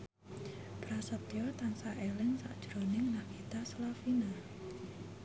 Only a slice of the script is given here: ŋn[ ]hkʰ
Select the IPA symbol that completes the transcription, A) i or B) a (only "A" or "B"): B